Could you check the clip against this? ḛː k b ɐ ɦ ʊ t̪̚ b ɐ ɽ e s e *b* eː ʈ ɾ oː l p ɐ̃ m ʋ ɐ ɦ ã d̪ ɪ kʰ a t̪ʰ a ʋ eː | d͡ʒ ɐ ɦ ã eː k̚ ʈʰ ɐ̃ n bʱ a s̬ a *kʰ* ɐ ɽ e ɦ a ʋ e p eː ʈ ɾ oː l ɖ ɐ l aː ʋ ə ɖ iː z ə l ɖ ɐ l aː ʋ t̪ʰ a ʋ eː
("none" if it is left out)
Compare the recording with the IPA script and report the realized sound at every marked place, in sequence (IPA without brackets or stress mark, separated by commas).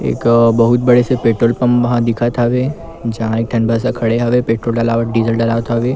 p, kʰ